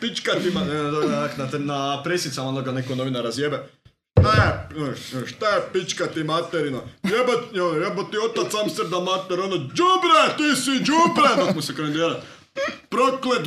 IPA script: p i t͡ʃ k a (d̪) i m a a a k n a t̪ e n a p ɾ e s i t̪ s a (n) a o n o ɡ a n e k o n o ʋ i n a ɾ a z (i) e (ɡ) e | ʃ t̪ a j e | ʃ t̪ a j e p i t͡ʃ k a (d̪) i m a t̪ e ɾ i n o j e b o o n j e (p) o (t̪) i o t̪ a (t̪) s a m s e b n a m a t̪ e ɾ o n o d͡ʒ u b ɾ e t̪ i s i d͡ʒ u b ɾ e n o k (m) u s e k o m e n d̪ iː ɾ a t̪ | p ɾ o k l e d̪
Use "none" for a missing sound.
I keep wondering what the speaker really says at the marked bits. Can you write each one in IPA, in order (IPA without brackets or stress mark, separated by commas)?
t̪, m, j, b, t̪, b, t̪, t̪, m